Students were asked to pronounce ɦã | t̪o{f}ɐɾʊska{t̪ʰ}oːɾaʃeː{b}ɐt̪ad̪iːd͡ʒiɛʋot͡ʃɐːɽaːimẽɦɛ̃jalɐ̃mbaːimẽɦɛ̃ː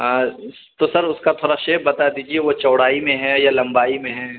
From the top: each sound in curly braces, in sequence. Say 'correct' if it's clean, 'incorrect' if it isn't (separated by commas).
incorrect, correct, correct